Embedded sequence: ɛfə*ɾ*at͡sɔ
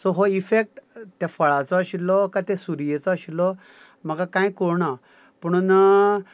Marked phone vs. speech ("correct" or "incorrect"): incorrect